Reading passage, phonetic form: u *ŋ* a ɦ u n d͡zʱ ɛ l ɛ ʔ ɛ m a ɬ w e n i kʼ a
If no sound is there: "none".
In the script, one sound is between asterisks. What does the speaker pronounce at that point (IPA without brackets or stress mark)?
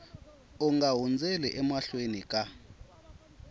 ŋ